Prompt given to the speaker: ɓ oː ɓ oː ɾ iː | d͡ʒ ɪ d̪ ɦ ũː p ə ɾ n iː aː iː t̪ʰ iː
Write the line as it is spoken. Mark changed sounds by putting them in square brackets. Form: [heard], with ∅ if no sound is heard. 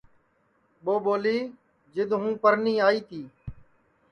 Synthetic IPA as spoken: ɓ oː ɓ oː [l] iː | d͡ʒ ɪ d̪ ɦ ũː p ə ɾ n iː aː iː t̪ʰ iː